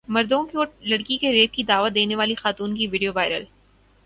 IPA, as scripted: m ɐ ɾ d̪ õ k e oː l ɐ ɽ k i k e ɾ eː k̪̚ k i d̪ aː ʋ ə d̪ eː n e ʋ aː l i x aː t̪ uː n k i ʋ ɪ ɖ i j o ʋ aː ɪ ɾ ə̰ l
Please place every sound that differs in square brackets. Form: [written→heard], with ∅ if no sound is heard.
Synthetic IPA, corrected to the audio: m ɐ ɾ d̪ õ k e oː l ɐ ɽ k i k e ɾ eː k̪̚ k i d̪ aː ʋ ə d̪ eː n e ʋ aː l i x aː t̪ uː n k i ʋ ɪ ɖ i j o ʋ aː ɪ ɾ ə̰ l